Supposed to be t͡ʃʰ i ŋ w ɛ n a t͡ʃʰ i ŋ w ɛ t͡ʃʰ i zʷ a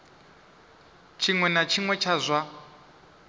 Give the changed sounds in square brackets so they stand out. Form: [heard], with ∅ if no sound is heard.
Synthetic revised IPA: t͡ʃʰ i ŋ w ɛ n a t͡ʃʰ i ŋ w ɛ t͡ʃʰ [a] zʷ a